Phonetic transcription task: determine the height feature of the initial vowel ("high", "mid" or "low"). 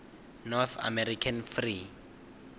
mid